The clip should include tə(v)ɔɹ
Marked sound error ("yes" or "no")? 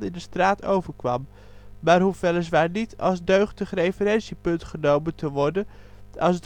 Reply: yes